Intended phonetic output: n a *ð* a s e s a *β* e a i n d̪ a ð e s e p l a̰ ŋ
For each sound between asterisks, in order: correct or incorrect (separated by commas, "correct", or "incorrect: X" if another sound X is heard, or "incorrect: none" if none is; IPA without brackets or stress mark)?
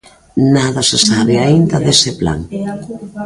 correct, correct